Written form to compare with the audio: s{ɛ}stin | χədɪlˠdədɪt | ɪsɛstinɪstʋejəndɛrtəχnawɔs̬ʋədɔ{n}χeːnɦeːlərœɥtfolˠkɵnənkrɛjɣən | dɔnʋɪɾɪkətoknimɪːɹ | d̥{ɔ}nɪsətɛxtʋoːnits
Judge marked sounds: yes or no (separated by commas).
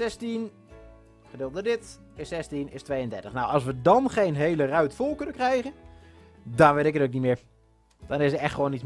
yes, yes, yes